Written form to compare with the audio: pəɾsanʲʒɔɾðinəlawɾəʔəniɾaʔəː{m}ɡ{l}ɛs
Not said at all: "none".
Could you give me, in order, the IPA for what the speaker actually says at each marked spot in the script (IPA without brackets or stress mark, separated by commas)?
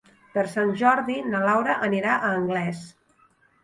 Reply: ŋ, l